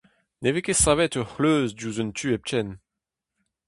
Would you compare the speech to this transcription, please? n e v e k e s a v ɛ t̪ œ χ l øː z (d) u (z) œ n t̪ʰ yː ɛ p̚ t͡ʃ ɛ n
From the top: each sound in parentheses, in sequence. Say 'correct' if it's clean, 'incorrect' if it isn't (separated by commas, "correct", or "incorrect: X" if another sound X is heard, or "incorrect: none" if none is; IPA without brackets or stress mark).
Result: correct, correct